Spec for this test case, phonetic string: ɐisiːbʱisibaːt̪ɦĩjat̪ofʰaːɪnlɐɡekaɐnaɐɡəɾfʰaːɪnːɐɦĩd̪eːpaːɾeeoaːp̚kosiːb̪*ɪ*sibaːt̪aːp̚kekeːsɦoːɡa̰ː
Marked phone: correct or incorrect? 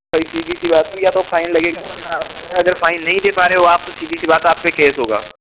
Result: incorrect: i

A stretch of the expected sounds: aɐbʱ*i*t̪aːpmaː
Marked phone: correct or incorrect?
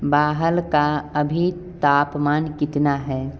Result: correct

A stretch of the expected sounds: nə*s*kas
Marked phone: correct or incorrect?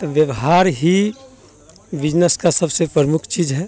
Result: correct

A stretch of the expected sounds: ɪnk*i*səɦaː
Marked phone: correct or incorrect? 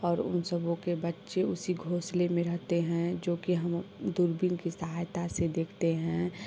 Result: correct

